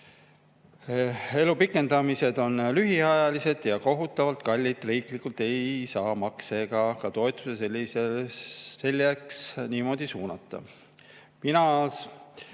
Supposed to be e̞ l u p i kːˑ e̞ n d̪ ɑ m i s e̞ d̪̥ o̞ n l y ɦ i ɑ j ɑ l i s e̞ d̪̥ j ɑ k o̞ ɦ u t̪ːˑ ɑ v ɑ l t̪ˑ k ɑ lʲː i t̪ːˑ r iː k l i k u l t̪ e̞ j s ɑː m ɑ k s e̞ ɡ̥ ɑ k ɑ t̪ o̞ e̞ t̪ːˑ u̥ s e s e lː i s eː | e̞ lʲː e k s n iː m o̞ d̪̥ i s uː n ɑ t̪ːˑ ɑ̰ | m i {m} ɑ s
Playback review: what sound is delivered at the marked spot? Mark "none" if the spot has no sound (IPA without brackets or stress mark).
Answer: n